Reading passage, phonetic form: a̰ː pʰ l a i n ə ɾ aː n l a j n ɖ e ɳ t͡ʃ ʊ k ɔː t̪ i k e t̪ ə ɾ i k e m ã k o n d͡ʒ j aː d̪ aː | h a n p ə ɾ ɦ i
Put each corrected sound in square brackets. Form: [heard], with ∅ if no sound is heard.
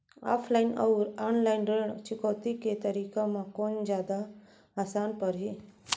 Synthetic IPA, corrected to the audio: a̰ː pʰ l a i n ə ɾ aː n l a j n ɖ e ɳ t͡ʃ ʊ k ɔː t̪ i k e t̪ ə ɾ i k [a] m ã k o n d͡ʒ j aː d̪ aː | [s] a n p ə ɾ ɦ i